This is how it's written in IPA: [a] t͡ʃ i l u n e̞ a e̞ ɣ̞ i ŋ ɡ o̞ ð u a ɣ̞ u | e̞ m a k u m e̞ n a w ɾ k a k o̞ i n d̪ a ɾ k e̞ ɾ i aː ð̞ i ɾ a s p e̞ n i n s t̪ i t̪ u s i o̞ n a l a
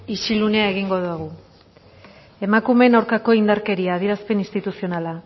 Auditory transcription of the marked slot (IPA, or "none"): i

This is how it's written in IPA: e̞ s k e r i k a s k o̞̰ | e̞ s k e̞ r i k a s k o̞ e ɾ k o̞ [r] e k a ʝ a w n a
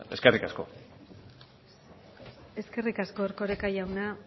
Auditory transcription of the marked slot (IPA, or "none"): ɾ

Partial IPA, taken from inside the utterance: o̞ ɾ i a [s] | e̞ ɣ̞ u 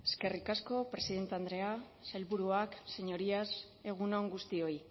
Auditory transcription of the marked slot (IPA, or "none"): s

